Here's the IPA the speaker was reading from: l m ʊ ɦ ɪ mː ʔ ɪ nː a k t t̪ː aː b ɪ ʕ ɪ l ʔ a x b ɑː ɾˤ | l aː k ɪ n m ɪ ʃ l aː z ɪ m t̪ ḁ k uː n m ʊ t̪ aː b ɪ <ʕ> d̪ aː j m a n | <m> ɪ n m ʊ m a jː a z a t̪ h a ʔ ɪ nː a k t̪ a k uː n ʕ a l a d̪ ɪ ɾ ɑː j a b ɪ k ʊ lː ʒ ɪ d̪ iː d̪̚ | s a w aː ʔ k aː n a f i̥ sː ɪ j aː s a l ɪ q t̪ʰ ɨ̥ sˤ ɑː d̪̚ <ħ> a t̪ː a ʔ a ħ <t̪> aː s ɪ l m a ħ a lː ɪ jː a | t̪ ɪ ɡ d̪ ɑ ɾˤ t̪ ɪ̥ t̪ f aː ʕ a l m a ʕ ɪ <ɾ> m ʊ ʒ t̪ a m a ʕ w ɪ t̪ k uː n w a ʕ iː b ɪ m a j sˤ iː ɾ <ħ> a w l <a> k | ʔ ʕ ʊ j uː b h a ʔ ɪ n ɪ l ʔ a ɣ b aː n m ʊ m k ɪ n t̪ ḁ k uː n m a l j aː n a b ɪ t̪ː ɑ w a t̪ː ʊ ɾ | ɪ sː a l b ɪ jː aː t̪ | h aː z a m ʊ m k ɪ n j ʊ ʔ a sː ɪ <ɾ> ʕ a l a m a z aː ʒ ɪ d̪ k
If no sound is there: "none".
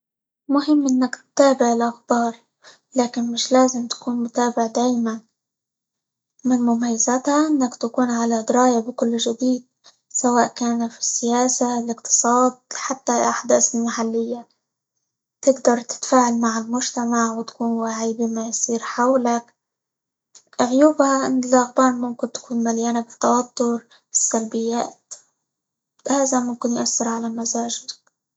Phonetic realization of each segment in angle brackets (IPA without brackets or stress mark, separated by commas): ʕ, m, ħ, d̪, l, ħ, a, ɾ